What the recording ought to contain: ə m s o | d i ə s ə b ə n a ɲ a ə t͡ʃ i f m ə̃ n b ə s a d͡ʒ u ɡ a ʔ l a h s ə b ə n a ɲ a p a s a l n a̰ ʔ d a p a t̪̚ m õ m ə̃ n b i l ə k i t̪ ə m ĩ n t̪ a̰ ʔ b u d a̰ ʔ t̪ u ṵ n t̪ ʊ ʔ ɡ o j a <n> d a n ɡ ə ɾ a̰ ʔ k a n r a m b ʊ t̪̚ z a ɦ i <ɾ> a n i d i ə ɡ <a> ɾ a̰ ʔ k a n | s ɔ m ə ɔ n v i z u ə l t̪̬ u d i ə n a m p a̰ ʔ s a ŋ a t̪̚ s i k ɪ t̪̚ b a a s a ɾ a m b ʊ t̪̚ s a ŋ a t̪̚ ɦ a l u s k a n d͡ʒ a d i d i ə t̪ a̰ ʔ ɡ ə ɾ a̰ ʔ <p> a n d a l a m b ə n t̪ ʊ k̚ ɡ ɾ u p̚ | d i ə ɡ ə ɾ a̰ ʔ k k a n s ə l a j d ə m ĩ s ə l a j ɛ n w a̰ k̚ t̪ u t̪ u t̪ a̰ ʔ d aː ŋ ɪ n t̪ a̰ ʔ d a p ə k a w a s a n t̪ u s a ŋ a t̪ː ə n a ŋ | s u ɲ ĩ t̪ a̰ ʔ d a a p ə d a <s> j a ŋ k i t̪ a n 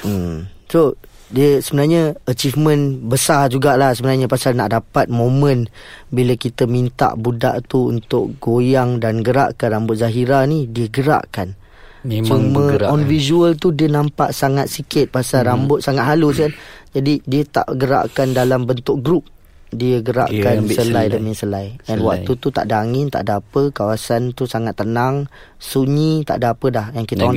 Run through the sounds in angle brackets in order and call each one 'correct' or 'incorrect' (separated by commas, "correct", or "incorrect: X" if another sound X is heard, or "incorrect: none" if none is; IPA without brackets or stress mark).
incorrect: ŋ, correct, incorrect: ə, incorrect: k, incorrect: h